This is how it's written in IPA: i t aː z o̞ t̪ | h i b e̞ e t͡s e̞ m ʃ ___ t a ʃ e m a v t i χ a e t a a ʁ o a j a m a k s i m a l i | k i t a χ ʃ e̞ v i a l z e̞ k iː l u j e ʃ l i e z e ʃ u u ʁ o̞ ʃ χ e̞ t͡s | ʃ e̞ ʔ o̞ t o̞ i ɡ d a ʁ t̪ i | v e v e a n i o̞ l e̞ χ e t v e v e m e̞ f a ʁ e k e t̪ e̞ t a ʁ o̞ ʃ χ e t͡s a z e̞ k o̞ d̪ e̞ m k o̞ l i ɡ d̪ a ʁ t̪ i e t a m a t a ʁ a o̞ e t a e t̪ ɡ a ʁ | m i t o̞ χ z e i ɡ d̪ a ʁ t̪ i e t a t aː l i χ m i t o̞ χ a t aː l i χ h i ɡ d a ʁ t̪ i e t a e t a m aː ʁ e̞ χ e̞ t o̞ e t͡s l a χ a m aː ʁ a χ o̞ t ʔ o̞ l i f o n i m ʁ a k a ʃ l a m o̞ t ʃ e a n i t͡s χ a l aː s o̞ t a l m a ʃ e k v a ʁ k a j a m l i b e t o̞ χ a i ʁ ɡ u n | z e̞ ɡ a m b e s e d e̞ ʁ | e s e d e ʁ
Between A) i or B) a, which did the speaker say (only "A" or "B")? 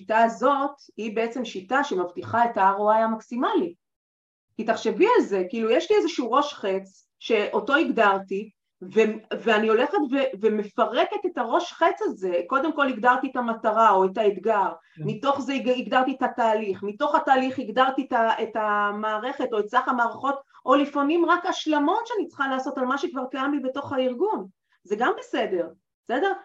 A